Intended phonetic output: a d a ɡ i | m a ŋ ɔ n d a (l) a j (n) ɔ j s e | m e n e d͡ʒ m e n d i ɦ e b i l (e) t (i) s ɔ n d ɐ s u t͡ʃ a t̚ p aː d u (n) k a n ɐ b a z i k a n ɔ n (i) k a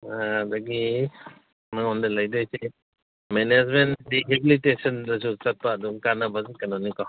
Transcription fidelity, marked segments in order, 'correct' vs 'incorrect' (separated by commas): correct, incorrect, incorrect, incorrect, incorrect, correct